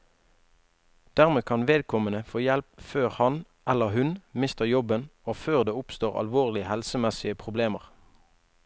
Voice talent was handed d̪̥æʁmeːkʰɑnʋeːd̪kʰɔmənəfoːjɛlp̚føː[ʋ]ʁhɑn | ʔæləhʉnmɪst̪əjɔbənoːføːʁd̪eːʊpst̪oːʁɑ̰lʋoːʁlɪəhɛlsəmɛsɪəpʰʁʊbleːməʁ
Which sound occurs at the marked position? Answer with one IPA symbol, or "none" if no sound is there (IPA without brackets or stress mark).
none